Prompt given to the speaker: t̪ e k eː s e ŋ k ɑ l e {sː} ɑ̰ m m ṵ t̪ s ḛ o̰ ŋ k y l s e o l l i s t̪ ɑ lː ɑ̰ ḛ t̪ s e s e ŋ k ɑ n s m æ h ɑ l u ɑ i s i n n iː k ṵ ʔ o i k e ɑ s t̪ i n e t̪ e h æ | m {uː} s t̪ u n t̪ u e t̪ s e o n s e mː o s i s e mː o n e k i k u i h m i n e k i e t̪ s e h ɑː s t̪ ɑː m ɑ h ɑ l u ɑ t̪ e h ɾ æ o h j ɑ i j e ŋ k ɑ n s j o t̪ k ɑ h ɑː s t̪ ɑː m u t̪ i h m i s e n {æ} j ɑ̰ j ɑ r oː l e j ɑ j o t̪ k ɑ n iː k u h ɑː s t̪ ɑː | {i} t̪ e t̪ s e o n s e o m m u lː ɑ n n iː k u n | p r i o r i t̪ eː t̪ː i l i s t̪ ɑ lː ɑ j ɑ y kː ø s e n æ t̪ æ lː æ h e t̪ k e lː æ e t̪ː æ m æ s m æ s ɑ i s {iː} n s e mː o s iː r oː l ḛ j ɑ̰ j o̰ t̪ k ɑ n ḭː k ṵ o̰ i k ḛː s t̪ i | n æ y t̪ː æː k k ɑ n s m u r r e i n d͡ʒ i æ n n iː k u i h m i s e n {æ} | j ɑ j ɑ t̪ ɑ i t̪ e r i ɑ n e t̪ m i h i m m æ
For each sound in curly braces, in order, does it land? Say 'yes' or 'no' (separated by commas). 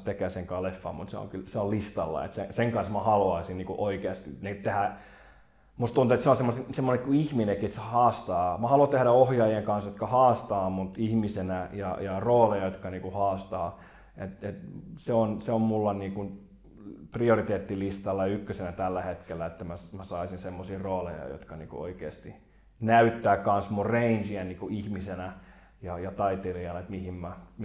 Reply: no, no, yes, no, no, yes